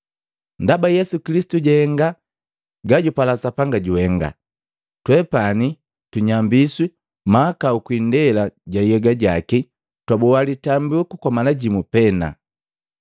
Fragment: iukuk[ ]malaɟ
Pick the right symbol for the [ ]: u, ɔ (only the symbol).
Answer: ɔ